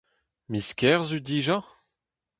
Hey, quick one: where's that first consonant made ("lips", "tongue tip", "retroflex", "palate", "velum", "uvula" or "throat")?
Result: lips